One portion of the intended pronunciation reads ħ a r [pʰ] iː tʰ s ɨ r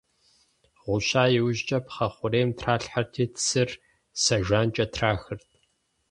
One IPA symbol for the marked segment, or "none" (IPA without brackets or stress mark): tʰ